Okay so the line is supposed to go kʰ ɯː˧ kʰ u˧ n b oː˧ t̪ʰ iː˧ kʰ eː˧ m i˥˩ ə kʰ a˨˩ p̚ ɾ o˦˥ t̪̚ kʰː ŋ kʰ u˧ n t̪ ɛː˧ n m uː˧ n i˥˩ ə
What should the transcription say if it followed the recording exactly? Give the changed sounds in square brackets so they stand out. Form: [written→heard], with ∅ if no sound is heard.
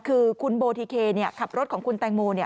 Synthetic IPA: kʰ ɯː˧ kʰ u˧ n b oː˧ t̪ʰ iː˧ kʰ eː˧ [m→n] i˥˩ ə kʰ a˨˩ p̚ ɾ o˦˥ t̪̚ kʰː ŋ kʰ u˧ n t̪ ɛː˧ [n→ŋ] m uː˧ n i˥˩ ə